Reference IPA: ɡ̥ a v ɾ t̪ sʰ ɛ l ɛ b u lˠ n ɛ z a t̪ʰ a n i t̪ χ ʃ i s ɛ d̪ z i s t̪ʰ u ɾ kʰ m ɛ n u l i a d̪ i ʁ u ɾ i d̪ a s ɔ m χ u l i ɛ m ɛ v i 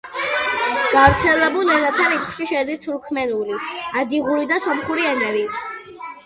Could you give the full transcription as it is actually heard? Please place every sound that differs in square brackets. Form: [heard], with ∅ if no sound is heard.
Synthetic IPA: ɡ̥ a v ɾ t̪ sʰ ɛ l ɛ b u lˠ n ɛ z a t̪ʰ a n i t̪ χ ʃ i [ʃ] ɛ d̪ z i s t̪ʰ u ɾ kʰ m ɛ n u l i a d̪ i ʁ u ɾ i d̪ a s ɔ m χ u [ɾ] i ɛ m ɛ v i